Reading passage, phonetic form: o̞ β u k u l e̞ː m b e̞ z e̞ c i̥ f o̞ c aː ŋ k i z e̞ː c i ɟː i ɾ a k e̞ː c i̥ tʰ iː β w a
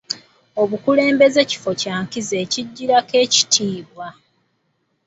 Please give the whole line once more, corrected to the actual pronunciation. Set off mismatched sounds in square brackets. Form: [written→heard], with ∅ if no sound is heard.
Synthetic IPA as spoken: o̞ β u k u l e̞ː m b e̞ z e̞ c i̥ f o̞ c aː ŋ k i z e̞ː c i ɟː i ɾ a k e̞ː c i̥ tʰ iː β w a